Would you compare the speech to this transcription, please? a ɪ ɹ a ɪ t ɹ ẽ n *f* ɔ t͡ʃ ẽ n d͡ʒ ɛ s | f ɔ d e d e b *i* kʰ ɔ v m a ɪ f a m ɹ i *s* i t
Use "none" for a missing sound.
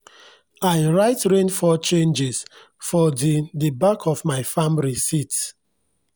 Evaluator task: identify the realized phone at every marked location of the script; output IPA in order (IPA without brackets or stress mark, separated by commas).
f, a, s